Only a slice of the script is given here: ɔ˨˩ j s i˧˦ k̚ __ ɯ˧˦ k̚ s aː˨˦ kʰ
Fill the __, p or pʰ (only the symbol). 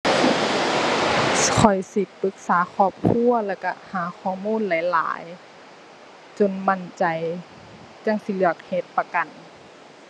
p